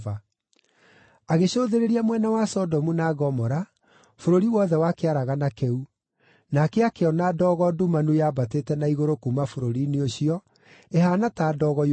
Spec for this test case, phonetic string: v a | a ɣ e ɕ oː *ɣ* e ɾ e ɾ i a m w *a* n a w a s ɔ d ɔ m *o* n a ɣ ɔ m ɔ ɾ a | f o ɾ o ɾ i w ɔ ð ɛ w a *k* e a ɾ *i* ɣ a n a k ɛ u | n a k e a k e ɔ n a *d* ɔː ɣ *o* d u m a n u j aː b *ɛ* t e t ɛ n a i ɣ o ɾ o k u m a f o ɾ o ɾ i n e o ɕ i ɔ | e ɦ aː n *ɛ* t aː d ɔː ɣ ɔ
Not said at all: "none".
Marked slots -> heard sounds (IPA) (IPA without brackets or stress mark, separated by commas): ð, ɛ, u, k, a, d, ɔ, a, a